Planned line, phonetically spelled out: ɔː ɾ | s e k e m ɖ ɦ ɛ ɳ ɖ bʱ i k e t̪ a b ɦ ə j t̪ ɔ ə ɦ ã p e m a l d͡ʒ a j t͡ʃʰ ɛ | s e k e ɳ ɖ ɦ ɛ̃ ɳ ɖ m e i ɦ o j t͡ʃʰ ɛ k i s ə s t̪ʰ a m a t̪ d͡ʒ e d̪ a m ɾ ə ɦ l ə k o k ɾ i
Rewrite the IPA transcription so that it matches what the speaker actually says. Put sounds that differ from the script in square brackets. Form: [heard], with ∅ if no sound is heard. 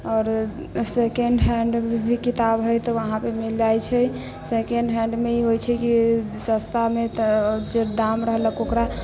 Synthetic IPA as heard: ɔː ɾ | s e k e [ɳ] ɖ ɦ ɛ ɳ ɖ bʱ i k [i] t̪ a b ɦ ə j t̪ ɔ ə ɦ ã p e m [i] l d͡ʒ a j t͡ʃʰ ɛ | s e k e ɳ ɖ ɦ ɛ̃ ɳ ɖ m e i ɦ o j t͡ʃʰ ɛ k i s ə s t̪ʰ a m [e] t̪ d͡ʒ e d̪ a m ɾ ə ɦ l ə k o k ɾ [a]

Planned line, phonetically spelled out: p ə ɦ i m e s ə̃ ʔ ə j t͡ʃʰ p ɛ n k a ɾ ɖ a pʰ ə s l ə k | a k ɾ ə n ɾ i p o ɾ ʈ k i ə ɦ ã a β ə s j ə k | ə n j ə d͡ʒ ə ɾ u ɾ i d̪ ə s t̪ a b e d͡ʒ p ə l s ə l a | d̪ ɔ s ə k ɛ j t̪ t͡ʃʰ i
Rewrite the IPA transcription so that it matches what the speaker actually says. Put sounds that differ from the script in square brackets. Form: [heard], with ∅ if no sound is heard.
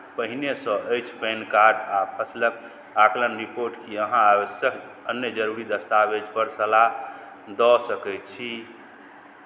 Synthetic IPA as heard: p ə ɦ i [n] e s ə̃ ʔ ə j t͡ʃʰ p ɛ n k a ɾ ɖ a pʰ ə s l ə k | a k [l] ə n ɾ i p o ɾ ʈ k i ə ɦ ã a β ə s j ə k | ə n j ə d͡ʒ ə ɾ u ɾ i d̪ ə s t̪ a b e d͡ʒ p ə [ɾ] s ə l a | d̪ ɔ s ə k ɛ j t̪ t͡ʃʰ i

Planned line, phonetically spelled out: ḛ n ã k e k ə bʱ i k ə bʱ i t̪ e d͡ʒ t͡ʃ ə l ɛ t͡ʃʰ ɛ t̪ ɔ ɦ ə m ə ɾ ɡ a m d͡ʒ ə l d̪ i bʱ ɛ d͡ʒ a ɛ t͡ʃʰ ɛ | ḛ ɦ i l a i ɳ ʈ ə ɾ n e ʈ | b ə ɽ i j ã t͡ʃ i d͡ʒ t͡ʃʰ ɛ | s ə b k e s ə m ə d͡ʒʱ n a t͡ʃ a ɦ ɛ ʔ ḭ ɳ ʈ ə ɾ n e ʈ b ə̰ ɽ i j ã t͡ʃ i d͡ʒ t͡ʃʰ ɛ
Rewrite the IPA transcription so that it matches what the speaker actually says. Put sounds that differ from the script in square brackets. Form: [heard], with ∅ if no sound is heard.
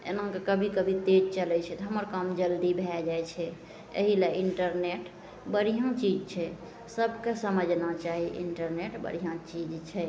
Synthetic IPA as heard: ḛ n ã k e k ə bʱ i k ə bʱ i t̪ e d͡ʒ t͡ʃ ə l ɛ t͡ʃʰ ɛ t̪ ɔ ɦ ə m ə ɾ [k] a m d͡ʒ ə l d̪ i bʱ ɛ d͡ʒ a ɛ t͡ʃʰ ɛ | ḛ ɦ i l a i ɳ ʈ ə ɾ n e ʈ | b ə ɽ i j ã t͡ʃ i d͡ʒ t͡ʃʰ ɛ | s ə b k e s ə m ə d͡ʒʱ n a t͡ʃ a ɦ [i] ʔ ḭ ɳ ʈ ə ɾ n e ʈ b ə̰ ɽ i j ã t͡ʃ i d͡ʒ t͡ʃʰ ɛ

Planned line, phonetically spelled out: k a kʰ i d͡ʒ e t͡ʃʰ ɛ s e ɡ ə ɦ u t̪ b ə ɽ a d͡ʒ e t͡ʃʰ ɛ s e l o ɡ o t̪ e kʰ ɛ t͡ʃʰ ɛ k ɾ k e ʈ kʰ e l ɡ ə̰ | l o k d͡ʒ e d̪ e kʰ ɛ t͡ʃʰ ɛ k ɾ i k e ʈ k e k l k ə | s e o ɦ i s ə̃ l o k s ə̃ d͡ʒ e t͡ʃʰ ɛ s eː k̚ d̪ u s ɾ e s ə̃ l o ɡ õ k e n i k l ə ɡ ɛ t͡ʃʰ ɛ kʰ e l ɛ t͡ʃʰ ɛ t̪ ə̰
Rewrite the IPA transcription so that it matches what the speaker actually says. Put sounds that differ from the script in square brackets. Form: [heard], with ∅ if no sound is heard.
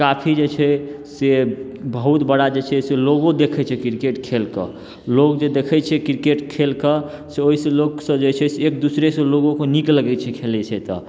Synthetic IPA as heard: k a [pʰ] i d͡ʒ e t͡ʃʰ ɛ s e [b] ə ɦ u t̪ b ə ɽ a d͡ʒ e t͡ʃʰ ɛ s e l o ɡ o [d̪] e kʰ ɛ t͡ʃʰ ɛ k ɾ k e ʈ kʰ e l [k] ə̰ | l o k d͡ʒ e d̪ e kʰ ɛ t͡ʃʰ ɛ k ɾ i k e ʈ [kʰ] e [∅] l k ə | s e o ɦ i s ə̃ l o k s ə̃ d͡ʒ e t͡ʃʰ ɛ s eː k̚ d̪ u s ɾ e s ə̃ l o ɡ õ k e n i k l ə ɡ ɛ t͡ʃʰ ɛ kʰ e l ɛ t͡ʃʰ ɛ t̪ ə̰

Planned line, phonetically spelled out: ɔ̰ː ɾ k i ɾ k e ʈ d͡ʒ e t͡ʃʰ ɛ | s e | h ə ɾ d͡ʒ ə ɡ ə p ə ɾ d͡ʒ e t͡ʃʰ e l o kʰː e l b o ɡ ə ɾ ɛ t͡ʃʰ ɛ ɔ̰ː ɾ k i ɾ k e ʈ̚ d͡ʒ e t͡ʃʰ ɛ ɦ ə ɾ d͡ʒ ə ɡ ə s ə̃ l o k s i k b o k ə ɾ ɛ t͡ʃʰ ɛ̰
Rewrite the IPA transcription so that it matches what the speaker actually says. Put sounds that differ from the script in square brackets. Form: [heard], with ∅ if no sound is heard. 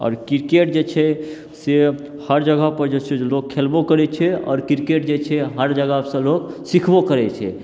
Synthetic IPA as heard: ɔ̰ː ɾ k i ɾ k e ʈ d͡ʒ e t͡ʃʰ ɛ | s e | h ə ɾ d͡ʒ ə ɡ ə p ə ɾ d͡ʒ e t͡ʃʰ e l o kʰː e l b o [k] ə ɾ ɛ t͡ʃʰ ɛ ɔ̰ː ɾ k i ɾ k e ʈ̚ d͡ʒ e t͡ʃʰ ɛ ɦ ə ɾ d͡ʒ ə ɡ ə s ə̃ l o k s i [kʰ] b o k ə ɾ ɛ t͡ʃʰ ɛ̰

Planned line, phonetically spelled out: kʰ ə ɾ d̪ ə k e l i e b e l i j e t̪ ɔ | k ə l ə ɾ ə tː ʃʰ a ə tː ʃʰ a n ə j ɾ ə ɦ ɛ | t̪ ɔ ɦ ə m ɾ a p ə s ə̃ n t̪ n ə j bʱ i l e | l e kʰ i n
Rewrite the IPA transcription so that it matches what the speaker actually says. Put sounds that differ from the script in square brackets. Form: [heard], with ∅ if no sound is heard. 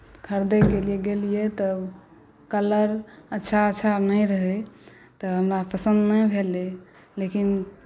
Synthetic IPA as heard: kʰ ə ɾ d̪ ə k e l i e [ɡ] e l i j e t̪ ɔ | k ə l ə ɾ ə tː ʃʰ a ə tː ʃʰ a n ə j ɾ ə ɦ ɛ | t̪ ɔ ɦ ə m ɾ a p ə s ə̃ n [d̪] n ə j bʱ [e] l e | l e [k] i n

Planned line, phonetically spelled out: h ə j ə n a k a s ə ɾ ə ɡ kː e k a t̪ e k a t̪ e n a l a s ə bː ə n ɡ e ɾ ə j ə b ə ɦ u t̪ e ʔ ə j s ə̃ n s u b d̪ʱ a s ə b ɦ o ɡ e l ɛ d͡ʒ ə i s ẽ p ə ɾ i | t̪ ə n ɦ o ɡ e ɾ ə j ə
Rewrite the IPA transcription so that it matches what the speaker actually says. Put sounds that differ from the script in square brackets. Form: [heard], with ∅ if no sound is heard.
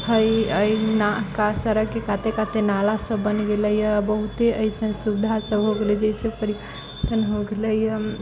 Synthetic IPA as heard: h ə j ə n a k a s ə ɾ ə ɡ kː e k a t̪ e k a t̪ e n a l a s ə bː ə n ɡ e [l] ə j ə b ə ɦ u t̪ e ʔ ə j s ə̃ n s u b d̪ʱ a s ə b ɦ o ɡ e l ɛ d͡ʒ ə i s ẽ p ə ɾ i | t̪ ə n ɦ o ɡ e [l] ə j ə

